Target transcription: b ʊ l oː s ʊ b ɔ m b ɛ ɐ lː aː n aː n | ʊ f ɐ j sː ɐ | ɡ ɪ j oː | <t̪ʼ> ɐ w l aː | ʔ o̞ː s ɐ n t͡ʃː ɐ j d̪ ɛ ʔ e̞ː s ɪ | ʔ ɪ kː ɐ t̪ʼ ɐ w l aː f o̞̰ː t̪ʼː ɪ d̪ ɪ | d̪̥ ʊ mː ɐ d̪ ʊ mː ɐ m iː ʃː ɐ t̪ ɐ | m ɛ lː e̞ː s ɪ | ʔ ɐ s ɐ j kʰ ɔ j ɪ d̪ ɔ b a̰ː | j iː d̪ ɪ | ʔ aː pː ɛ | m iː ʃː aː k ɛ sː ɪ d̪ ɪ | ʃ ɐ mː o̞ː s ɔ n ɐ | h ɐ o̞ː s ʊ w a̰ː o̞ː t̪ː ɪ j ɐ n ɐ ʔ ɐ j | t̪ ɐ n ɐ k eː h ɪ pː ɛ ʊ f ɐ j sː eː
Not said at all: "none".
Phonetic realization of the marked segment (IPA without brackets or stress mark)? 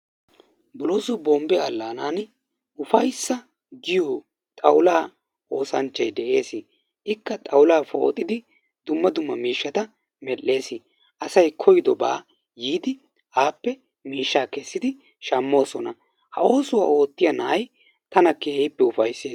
t̪ʼ